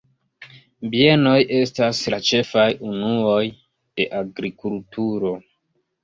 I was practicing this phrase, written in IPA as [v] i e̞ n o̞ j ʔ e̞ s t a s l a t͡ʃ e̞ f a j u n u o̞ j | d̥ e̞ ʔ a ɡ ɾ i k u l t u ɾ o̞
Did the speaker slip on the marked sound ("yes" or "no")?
yes